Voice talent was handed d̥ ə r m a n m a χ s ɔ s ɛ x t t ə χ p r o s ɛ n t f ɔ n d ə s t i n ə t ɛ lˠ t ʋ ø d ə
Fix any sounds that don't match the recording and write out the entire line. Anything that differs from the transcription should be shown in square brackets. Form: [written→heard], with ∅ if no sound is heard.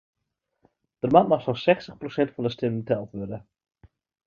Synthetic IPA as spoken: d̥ ə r m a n m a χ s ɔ s ɛ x [t→s] t ə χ p r o s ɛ n t f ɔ n d ə s t [i→ɪ] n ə t ɛ lˠ t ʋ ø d ə